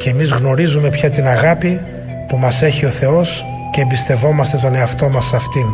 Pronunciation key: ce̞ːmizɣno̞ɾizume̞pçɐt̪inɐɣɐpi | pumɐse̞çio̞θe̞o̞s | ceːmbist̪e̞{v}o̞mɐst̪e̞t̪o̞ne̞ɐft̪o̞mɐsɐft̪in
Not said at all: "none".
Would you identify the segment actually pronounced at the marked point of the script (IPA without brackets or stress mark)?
v